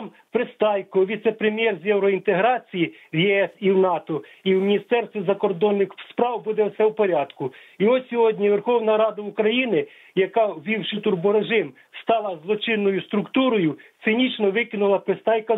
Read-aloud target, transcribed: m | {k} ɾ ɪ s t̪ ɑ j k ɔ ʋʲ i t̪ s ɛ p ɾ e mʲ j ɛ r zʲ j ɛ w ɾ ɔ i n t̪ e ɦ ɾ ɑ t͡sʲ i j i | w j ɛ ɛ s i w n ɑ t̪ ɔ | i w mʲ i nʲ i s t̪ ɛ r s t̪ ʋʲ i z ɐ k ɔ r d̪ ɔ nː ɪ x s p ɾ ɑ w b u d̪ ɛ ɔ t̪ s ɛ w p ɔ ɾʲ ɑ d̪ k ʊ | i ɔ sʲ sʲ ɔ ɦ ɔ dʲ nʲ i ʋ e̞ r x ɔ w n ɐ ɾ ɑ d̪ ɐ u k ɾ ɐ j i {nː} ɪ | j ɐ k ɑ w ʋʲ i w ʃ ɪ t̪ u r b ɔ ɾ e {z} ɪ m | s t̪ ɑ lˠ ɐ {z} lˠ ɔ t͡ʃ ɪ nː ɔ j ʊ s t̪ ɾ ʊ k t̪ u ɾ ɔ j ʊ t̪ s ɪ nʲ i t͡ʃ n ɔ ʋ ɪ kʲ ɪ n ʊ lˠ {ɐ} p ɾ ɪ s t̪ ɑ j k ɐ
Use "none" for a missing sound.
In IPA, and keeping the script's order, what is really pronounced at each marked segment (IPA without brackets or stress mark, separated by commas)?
p, n, ʒ, z, ɐ